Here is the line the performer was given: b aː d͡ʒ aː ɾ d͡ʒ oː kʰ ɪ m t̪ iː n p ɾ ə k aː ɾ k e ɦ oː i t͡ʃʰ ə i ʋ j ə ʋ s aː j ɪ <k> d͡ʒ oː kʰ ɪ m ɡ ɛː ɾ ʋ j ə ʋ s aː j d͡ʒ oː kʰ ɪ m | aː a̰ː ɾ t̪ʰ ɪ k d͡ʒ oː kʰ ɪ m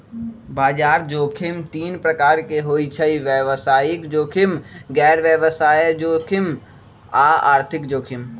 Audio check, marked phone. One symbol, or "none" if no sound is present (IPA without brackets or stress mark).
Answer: k